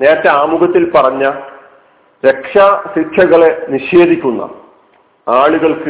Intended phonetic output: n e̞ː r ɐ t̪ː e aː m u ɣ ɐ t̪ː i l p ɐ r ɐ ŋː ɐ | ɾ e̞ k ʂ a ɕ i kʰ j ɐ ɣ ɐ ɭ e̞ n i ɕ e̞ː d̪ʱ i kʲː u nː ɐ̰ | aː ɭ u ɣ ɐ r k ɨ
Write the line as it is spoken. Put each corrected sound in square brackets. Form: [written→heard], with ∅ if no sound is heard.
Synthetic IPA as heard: n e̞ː [r→ɾ] ɐ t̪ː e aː m u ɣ ɐ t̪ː i l p ɐ r ɐ [ŋː→ɲː] ɐ | ɾ e̞ k ʂ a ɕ i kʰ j ɐ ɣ ɐ ɭ e̞ n i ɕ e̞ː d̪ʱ i kʲː u nː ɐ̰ | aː ɭ u ɣ ɐ [r→ɭ] k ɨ